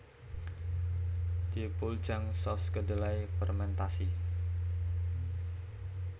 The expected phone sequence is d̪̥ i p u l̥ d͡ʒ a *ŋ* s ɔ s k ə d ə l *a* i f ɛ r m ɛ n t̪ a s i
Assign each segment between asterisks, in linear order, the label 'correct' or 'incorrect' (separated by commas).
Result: correct, correct